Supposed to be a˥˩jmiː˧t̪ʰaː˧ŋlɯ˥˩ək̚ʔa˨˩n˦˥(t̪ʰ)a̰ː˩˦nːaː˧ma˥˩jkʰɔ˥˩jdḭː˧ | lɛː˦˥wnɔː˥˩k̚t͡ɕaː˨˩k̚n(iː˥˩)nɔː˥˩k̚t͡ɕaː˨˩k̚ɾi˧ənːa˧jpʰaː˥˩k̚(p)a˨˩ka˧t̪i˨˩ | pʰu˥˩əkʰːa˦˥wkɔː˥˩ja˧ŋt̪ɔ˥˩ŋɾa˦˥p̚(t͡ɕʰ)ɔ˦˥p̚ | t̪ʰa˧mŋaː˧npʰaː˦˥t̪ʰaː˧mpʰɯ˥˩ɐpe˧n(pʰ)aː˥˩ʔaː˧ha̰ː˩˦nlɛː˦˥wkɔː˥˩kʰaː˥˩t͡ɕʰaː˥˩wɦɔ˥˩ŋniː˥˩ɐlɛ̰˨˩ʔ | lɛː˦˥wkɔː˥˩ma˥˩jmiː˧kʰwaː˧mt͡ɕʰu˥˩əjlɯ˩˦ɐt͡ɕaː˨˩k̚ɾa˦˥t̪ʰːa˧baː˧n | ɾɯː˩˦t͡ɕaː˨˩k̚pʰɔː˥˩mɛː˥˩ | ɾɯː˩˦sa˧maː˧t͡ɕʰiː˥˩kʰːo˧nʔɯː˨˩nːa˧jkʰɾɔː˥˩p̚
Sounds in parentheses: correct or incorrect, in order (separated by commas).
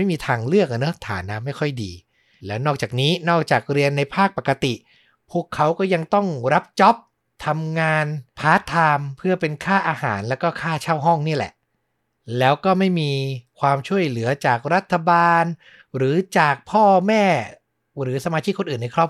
correct, incorrect, correct, incorrect, incorrect